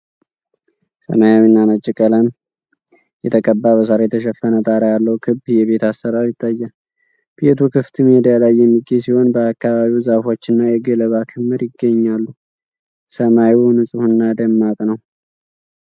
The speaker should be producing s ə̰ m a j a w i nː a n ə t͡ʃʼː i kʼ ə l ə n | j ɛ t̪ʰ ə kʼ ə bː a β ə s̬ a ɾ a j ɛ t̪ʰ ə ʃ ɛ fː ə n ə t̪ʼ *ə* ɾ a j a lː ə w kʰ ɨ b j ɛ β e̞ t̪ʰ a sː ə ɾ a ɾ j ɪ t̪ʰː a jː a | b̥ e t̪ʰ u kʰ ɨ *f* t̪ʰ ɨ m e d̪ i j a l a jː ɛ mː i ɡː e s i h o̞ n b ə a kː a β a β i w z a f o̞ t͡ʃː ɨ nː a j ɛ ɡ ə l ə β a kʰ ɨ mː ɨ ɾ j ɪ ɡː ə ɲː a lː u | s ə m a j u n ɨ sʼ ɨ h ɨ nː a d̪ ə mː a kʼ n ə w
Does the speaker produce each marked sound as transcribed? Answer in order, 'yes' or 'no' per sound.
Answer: no, yes

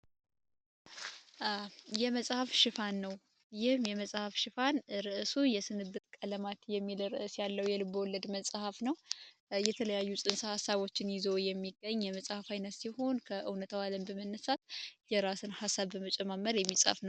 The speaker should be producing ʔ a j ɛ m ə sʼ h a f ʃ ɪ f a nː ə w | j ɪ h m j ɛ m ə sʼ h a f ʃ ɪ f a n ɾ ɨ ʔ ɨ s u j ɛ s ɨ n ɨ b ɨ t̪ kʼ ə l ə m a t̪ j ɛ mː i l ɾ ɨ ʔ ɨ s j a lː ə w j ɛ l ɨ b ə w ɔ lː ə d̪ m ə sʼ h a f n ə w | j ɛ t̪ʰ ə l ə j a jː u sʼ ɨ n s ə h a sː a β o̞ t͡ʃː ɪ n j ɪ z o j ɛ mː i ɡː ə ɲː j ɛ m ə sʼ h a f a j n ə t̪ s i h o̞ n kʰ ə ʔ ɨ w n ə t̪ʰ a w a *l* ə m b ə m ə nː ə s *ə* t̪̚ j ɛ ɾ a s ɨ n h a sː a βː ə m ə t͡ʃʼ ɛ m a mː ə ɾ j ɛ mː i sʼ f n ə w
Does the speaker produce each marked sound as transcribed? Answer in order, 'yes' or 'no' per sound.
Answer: yes, no

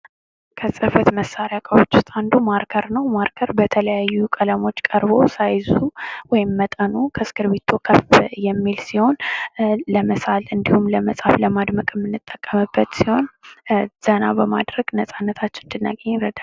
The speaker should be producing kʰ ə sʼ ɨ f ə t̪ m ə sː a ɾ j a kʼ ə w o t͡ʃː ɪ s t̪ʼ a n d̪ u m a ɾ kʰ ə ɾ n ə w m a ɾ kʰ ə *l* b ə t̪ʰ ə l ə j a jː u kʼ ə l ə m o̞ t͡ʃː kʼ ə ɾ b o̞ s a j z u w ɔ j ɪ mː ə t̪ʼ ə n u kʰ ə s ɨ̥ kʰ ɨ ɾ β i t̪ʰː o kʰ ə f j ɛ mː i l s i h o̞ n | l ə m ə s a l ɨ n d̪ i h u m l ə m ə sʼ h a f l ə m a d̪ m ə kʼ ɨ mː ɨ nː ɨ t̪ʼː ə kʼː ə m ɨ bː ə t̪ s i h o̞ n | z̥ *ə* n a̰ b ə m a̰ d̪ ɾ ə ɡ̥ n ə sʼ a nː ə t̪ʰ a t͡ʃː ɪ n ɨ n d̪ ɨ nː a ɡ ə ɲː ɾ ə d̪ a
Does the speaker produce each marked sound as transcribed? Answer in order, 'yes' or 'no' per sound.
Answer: no, yes

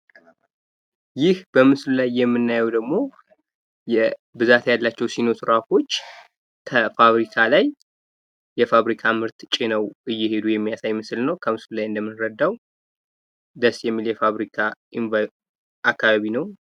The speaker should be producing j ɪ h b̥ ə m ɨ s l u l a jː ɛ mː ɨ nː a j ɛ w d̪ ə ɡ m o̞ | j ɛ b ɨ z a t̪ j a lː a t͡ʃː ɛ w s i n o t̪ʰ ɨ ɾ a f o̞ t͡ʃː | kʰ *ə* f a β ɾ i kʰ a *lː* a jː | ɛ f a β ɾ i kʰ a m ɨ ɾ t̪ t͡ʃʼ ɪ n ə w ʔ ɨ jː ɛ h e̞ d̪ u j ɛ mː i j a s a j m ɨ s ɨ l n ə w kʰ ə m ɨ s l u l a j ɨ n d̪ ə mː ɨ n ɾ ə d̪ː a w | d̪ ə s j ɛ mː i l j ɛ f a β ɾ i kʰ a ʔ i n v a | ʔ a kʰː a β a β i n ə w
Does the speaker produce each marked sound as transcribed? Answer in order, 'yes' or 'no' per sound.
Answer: yes, no

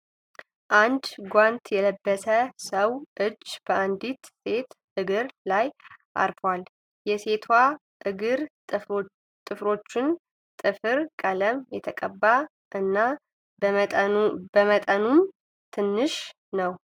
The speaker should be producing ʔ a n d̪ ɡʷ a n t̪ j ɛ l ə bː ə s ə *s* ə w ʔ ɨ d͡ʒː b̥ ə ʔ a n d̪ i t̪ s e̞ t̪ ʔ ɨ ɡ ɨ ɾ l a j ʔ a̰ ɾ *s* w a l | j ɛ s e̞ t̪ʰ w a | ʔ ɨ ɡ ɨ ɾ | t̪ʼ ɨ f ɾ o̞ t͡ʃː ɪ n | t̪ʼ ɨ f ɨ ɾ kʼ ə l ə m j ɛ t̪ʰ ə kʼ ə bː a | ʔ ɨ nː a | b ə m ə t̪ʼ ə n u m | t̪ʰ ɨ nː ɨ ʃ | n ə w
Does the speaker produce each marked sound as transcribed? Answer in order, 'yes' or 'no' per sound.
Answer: yes, no

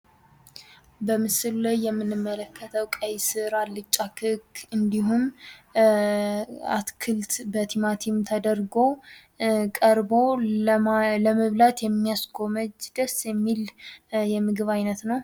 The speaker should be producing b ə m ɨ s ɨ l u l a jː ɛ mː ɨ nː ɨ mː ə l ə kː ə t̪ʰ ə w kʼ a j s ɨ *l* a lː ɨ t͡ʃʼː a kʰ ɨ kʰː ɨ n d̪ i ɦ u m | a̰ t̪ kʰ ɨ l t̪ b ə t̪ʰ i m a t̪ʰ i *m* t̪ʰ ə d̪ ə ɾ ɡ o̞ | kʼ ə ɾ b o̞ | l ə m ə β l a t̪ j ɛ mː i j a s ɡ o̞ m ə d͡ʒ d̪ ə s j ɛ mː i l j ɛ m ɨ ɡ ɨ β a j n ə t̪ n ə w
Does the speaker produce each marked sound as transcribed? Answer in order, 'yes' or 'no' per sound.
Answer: no, yes

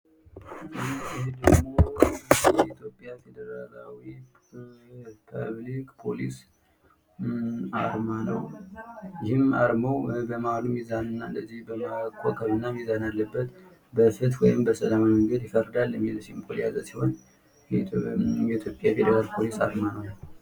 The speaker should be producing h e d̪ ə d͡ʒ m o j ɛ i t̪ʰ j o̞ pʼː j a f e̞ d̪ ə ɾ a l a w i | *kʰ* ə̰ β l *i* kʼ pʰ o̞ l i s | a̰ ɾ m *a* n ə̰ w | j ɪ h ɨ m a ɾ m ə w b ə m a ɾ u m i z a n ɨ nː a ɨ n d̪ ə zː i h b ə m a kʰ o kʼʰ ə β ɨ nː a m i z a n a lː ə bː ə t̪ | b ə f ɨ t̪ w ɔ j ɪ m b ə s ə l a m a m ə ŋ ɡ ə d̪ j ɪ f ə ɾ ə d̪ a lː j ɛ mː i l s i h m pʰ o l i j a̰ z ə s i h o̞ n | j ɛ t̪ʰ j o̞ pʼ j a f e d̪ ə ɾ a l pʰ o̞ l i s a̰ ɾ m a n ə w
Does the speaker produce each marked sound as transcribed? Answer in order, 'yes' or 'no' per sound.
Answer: no, yes, yes

